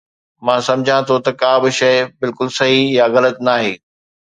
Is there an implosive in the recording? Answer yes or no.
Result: no